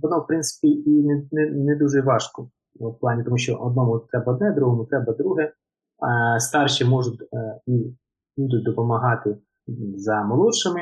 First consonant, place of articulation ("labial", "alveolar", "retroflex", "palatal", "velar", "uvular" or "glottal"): labial